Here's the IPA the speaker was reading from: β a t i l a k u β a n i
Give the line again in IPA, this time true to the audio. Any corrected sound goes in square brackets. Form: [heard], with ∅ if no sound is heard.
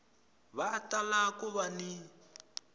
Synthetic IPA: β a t [a] l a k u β a n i